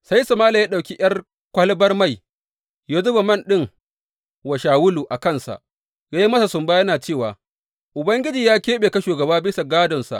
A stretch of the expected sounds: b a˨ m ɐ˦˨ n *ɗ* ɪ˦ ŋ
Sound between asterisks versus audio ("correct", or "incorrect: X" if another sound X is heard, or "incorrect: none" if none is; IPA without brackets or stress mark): correct